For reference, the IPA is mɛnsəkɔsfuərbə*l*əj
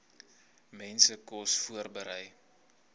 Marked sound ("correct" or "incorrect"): incorrect